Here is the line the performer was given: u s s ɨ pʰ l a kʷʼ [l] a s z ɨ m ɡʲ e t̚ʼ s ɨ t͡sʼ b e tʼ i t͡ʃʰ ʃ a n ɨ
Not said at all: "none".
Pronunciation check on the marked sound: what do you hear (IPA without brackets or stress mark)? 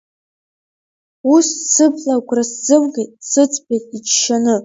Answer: r